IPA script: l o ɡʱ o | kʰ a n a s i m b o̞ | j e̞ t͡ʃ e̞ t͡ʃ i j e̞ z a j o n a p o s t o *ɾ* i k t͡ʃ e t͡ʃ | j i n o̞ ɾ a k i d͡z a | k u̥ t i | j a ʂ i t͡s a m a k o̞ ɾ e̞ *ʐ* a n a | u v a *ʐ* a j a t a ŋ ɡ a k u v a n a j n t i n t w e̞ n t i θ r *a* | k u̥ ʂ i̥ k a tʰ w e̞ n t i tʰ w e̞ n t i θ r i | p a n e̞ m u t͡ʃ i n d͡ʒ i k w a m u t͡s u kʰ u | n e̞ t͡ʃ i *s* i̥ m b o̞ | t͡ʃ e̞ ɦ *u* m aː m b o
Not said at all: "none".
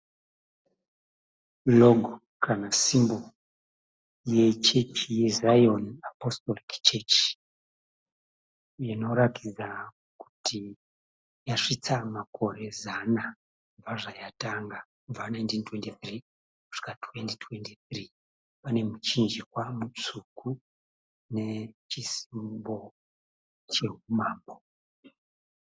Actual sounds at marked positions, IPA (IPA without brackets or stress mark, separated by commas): l, z, ʐ, i, s, u